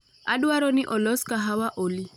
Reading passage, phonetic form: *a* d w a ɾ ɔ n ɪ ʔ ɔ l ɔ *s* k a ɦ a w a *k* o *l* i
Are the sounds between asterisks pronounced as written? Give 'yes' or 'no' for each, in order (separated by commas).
yes, yes, no, yes